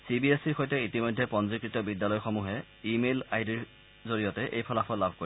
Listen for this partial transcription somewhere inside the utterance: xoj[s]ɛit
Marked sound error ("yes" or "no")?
yes